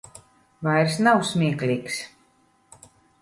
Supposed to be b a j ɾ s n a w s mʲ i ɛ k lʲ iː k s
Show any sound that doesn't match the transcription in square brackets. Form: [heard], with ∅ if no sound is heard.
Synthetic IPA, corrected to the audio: [v] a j ɾ s n a w s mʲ i ɛ k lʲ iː k s